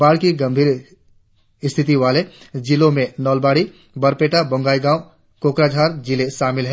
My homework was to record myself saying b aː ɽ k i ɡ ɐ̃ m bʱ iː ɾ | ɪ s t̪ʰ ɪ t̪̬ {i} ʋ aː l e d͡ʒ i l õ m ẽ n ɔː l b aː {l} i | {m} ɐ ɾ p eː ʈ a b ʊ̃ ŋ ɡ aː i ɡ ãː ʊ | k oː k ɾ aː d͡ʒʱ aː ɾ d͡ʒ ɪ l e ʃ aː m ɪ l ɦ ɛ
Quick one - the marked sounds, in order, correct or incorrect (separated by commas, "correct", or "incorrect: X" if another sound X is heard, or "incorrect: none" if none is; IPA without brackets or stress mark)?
correct, incorrect: ɽ, incorrect: b